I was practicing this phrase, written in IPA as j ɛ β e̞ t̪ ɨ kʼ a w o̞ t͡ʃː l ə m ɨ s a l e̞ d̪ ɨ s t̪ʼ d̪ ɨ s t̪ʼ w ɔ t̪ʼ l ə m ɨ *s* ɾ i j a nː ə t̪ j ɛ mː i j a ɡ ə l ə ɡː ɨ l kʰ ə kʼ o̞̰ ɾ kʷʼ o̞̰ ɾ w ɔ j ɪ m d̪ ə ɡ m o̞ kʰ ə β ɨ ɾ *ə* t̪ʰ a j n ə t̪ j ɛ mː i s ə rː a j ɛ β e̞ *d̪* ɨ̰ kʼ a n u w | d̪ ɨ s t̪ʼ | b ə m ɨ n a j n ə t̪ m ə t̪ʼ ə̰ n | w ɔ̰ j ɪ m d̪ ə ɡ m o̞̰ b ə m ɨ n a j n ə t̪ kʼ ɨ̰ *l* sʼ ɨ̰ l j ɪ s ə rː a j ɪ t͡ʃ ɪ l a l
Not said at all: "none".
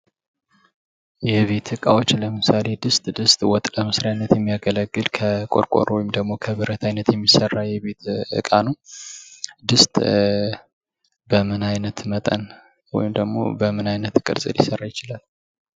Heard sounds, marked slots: s, ə, t̪, ɾ

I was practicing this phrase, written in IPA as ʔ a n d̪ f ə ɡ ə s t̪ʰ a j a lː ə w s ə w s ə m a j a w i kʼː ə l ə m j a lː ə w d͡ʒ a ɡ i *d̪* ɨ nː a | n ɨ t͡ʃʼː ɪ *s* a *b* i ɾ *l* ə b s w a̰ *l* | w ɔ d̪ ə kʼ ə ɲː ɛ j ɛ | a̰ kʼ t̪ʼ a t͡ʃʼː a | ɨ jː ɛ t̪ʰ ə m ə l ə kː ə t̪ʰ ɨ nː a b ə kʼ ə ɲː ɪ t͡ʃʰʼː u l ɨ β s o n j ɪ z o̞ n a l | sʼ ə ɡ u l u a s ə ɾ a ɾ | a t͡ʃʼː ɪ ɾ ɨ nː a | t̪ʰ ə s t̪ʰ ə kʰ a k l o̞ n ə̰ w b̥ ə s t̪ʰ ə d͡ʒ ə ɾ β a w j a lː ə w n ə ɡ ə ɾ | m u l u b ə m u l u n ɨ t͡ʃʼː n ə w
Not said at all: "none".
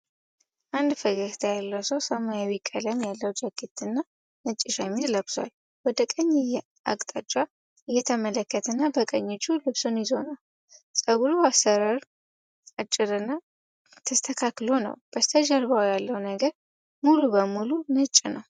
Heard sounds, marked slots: t̪, ʃ, m, l, l

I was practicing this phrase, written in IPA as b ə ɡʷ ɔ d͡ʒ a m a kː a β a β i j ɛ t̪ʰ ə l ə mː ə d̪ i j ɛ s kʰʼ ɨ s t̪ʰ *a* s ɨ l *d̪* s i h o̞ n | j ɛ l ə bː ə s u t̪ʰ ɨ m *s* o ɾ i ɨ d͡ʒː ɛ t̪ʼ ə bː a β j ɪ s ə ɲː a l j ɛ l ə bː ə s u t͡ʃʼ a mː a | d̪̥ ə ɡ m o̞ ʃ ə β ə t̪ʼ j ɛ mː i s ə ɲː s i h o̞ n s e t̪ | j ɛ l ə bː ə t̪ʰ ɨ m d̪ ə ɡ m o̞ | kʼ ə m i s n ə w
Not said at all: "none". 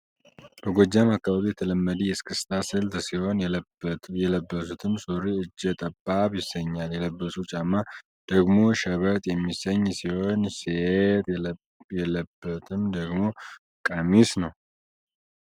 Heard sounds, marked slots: a, t̪, s

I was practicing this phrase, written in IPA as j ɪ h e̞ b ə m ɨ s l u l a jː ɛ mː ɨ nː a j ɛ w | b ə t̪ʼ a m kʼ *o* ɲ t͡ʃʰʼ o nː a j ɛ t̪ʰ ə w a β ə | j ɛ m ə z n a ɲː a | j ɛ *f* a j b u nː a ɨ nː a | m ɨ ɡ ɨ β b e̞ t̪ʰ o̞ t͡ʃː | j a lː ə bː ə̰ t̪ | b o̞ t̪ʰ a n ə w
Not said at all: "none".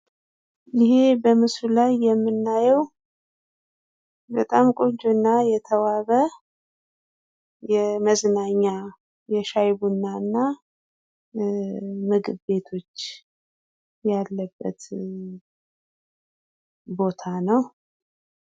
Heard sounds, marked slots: o, ʃ

